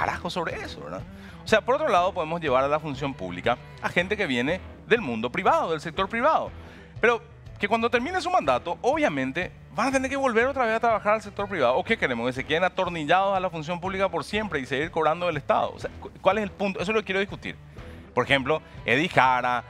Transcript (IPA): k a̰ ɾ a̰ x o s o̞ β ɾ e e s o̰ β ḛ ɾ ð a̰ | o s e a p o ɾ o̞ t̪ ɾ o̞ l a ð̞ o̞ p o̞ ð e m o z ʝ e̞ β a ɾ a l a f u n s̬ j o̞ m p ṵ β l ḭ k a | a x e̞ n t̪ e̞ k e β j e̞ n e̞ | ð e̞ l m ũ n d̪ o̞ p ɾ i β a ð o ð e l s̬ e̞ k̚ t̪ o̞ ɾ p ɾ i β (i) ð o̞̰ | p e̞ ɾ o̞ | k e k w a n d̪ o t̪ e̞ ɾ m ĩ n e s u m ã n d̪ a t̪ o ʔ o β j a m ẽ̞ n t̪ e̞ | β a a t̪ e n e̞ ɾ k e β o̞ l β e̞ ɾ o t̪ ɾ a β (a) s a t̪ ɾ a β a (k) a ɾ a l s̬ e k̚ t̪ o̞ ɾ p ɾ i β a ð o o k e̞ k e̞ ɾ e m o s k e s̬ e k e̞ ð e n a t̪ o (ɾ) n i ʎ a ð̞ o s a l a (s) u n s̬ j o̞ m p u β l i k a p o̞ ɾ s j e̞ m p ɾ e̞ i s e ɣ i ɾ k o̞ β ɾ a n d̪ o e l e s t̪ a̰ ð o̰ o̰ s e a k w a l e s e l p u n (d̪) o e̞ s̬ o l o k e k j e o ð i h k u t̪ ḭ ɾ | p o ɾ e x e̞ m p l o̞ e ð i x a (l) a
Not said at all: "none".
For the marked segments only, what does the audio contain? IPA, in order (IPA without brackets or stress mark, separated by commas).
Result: a, e, x, ɾ, f, t̪, ɾ